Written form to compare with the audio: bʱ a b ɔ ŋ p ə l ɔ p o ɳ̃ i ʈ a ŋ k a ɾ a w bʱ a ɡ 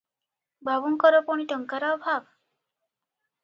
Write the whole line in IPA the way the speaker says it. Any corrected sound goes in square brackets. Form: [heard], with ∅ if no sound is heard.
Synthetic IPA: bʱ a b [u] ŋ [k] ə [ɾ] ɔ p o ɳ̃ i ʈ [ə] ŋ k a ɾ a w bʱ a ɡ